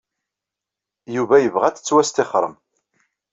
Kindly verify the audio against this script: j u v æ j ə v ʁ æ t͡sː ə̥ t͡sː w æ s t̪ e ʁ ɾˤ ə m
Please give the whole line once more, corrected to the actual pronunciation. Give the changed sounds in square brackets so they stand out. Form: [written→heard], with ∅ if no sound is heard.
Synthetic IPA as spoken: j u v æ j ə v ʁ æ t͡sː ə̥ t͡sː w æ s t̪ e [ʁ→χ] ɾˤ ə m